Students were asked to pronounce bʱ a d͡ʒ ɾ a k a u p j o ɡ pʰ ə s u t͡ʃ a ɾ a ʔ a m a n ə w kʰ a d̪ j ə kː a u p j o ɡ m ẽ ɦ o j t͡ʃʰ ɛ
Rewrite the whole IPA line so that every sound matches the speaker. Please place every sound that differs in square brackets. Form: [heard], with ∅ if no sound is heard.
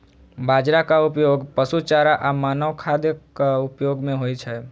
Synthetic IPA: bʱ a d͡ʒ ɾ a k a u p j o ɡ [p] ə s u t͡ʃ a ɾ a ʔ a m a n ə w kʰ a d̪ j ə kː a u p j o ɡ m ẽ ɦ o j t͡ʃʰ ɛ